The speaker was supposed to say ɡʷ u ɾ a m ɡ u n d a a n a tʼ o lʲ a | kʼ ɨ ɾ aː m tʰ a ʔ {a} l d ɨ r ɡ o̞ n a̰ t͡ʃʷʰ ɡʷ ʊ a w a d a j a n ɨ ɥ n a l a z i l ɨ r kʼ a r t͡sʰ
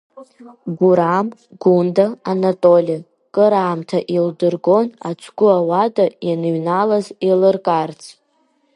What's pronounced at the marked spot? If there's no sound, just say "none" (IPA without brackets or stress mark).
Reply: i